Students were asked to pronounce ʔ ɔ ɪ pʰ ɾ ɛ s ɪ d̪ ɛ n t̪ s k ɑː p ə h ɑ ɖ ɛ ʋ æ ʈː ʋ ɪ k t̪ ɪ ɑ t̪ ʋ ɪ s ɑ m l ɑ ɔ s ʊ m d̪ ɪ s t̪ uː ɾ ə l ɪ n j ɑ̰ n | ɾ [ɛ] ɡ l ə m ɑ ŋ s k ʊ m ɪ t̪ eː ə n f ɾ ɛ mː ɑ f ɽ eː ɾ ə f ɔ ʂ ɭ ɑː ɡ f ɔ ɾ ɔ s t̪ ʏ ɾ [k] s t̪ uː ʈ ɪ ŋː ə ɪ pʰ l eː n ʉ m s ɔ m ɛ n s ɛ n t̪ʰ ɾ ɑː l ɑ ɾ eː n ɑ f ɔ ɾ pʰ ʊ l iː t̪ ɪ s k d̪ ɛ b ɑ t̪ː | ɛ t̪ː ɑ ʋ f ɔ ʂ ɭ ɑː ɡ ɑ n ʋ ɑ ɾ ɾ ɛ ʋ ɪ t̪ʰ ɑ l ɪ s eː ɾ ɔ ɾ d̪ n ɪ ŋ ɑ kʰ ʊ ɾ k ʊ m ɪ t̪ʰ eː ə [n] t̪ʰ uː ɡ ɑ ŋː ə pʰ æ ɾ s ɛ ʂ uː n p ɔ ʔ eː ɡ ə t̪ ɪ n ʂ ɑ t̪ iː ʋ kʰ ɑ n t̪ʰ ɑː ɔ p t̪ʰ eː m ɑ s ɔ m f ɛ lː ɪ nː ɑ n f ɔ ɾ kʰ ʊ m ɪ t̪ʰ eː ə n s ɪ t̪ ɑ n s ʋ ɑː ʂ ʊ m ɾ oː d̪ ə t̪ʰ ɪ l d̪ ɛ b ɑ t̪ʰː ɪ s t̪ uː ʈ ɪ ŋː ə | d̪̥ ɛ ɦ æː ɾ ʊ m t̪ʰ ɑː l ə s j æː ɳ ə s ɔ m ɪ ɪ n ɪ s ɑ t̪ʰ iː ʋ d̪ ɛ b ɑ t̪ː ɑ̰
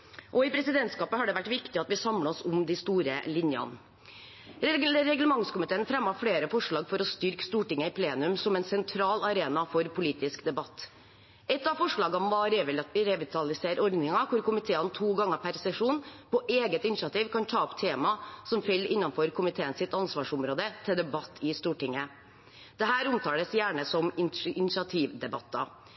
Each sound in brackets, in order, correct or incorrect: correct, correct, correct

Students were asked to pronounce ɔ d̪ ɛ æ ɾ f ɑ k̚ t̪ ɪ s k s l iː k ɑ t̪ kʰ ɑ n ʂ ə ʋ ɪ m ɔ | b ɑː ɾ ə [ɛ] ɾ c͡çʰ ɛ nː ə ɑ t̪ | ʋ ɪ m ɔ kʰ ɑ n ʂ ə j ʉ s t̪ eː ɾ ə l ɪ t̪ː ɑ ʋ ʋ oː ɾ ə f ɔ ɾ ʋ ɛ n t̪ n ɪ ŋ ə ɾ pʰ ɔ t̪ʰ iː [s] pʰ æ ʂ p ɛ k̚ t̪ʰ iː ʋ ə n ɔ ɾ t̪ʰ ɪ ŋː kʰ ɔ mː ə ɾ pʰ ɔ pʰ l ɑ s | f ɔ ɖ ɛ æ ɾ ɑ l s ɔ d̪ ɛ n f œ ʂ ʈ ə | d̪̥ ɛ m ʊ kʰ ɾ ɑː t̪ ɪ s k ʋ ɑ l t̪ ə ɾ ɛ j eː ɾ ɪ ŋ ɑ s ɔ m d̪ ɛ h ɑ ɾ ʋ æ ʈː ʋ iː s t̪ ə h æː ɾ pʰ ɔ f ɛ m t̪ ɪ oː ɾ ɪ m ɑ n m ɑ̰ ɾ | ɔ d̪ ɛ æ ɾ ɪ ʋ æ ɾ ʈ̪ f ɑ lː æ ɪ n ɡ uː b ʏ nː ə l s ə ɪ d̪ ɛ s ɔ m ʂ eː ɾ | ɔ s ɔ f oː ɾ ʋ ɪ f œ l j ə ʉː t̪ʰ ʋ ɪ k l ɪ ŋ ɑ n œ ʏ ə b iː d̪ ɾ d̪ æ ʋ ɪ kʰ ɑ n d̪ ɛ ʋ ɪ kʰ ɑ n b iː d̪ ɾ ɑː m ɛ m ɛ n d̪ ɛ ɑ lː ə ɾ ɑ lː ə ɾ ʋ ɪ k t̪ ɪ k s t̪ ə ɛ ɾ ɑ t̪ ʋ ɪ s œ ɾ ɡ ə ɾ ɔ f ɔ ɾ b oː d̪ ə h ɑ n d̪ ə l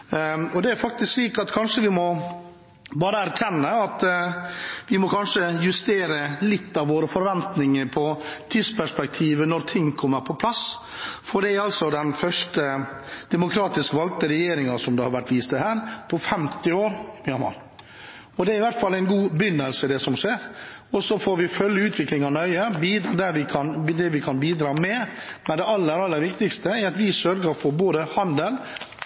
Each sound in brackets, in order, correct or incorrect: incorrect: æ, correct

